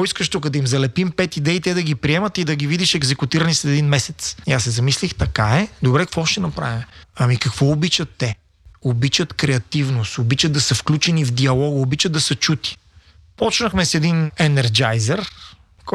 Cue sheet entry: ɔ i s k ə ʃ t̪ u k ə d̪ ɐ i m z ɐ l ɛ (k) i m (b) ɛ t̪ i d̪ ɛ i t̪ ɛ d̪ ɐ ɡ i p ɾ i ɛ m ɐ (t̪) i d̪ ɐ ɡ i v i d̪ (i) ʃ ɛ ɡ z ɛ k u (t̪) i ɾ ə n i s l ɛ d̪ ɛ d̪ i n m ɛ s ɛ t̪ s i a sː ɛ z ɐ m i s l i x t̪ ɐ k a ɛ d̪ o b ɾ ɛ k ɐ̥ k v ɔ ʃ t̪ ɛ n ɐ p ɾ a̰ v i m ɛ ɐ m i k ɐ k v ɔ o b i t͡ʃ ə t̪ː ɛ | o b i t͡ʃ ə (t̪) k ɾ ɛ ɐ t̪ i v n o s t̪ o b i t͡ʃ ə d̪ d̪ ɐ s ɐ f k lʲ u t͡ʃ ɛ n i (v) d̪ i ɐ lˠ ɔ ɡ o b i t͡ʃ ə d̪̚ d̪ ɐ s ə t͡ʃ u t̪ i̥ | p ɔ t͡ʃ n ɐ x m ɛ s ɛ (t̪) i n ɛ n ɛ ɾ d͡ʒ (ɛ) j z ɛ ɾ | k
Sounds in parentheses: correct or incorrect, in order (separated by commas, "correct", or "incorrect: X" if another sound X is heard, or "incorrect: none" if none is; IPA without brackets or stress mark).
incorrect: p, incorrect: p, correct, correct, correct, correct, correct, incorrect: d̪, incorrect: a